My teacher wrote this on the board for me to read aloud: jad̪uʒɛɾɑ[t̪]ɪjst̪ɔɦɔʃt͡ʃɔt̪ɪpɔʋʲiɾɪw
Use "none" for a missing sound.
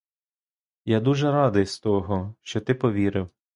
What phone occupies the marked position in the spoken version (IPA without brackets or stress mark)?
d̪